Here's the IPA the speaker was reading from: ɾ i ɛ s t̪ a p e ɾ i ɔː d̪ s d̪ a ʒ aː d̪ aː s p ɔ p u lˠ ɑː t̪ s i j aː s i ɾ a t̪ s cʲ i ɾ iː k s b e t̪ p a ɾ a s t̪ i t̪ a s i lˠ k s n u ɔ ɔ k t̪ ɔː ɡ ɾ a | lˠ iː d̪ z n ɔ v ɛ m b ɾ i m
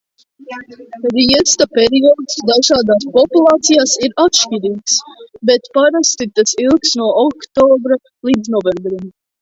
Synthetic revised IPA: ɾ i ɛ s t̪ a p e ɾ i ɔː d̪ s d̪ a ʒ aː d̪ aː s p ɔ p u lˠ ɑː t̪ s i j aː s i ɾ a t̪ ʃ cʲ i ɾ iː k s b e t̪ p a ɾ a s t̪ i t̪ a s i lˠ k s n u ɔ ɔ k t̪ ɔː b ɾ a | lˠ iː d̪ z n ɔ v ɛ m b ɾ i m

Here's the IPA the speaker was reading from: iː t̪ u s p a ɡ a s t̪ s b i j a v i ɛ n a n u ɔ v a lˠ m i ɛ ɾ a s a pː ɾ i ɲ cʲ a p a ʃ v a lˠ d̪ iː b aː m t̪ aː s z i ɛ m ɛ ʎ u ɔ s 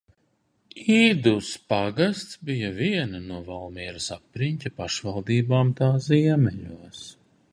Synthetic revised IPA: iː d̪ u s p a ɡ a s t̪ s b i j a v i ɛ n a n u ɔ v a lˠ m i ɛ ɾ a s a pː ɾ i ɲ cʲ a p a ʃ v a lˠ d̪ iː b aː m t̪ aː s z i ɛ m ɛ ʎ u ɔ s

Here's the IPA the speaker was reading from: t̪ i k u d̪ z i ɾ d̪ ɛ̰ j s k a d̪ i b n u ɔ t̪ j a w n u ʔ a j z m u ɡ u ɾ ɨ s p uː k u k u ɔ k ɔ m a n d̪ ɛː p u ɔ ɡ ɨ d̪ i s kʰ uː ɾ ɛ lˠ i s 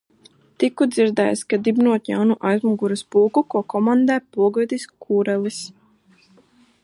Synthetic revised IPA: t̪ i k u d̪ z i ɾ d̪ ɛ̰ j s k a d̪ i b n u ɔ t̪ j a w n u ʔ a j z m u ɡ u ɾ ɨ s p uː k u k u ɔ k ɔ m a n d̪ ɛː p u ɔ ɡ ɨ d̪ i s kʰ uː ɾ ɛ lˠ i s

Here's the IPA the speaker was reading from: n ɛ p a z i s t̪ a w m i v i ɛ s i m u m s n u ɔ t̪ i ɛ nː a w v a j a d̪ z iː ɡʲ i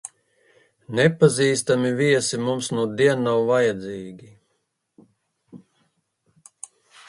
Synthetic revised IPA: n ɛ p a z iː s t̪ a m i v i ɛ s i m u m s n u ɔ d̪ i ɛ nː a w v a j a d̪ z iː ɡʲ i

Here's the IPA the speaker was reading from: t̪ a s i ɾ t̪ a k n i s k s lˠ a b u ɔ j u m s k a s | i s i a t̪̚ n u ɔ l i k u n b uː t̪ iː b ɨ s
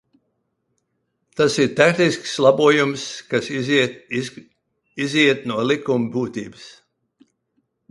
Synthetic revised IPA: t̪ a s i ɾ t̪ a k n i s k s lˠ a b u ɔ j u m s k a s | i z i ɛ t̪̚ n u ɔ l i k u m b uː t̪ iː b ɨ s

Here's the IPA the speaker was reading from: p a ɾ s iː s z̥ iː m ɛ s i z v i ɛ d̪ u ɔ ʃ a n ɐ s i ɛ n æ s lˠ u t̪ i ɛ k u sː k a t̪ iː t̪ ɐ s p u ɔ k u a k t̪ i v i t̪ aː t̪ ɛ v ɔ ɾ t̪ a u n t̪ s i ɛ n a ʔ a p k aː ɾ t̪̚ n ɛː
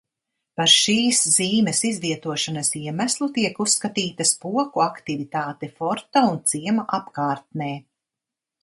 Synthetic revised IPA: p a ɾ ʃ iː s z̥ iː m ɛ s i z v i ɛ t̪ u ɔ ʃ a n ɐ s i ɛ m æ s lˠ u t̪ i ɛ k u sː k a t̪ iː t̪ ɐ s p u ɔ k u a k t̪ i v i t̪ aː t̪ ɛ f ɔ ɾ t̪ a u n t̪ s i ɛ m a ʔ a p k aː ɾ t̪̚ n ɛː

